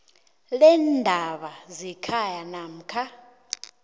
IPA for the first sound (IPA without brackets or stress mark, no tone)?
l